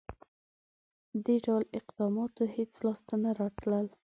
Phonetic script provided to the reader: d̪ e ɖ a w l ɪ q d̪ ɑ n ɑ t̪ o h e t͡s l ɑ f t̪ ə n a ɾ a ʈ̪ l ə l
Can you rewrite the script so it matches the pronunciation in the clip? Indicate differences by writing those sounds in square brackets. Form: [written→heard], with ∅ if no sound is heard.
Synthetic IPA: d̪ e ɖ a w l ɪ q d̪ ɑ [n→m] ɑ t̪ o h e t͡s l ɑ [f→s] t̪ [ə→a] n a ɾ [a→ɑ] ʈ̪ l ə l